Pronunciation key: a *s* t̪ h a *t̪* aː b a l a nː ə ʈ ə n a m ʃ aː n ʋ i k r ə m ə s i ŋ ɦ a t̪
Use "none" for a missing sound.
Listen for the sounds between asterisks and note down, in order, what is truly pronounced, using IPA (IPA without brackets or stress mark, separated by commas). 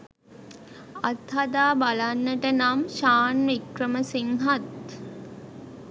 none, d̪